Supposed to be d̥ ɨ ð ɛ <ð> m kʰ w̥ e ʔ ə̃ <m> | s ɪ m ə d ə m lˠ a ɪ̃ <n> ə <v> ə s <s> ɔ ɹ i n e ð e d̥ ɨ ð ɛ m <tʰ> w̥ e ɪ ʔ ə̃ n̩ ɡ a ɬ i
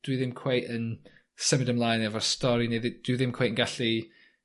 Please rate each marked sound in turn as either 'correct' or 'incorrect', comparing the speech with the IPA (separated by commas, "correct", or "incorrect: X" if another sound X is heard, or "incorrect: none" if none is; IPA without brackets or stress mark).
incorrect: none, incorrect: n, correct, correct, incorrect: t, incorrect: kʰ